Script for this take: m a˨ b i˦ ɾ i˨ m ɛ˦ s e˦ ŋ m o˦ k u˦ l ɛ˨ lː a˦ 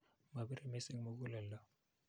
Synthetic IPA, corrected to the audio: m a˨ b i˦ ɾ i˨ m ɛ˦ s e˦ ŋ m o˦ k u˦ l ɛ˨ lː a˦